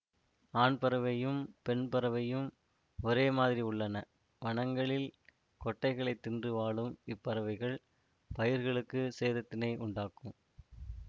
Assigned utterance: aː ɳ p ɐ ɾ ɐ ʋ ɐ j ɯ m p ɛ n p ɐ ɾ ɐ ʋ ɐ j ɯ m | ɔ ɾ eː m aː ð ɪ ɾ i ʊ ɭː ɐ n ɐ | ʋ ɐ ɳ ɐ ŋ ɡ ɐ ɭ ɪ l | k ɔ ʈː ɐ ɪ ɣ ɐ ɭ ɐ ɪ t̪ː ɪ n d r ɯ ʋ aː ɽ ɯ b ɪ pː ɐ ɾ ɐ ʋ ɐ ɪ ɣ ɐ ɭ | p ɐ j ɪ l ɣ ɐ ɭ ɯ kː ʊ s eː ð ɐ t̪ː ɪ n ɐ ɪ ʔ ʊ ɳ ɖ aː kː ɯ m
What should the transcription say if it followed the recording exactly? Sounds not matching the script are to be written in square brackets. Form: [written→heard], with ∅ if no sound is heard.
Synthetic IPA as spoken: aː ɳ p ɐ ɾ ɐ ʋ ɐ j ɯ m p ɛ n p ɐ ɾ ɐ ʋ ɐ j ɯ m | ɔ ɾ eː m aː ð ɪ ɾ i ʊ ɭː ɐ n ɐ | ʋ ɐ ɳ ɐ ŋ ɡ ɐ ɭ ɪ l | k ɔ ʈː ɐ ɪ ɣ ɐ ɭ ɐ ɪ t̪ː ɪ n d r ɯ ʋ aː [ɽ→ɭ] ɯ [b→m] ɪ pː ɐ ɾ ɐ ʋ ɐ ɪ ɣ ɐ ɭ | p ɐ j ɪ [l→ɾ] ɣ ɐ ɭ ɯ kː [ʊ→ɯ] s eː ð ɐ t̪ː ɪ n ɐ ɪ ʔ ʊ ɳ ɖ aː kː ɯ m